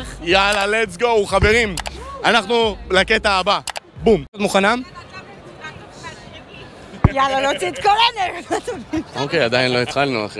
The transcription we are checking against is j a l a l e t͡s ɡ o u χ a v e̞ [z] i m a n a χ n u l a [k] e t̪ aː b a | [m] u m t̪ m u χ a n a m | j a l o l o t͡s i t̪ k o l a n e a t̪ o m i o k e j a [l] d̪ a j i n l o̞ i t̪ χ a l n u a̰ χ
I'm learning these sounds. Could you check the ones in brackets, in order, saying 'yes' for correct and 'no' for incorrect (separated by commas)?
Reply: no, yes, no, no